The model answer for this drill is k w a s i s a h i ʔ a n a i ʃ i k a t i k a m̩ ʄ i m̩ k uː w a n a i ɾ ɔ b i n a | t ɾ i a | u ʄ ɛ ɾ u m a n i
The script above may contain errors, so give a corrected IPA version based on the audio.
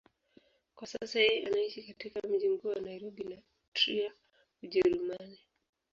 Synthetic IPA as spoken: k w a s a s a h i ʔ a n a i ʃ i k a t i k a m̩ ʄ i m̩ k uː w a n a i ɾ ɔ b i n a | t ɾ i a | u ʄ ɛ ɾ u m a n i